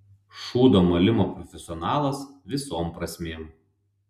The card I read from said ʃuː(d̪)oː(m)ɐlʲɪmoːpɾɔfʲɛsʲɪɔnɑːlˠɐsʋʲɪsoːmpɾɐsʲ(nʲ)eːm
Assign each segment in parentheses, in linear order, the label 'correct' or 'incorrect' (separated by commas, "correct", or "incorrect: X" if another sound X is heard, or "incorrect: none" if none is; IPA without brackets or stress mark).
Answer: correct, correct, incorrect: mʲ